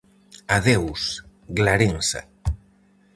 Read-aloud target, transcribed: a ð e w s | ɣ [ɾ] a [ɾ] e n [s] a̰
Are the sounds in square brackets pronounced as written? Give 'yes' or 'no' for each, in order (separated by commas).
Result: no, yes, yes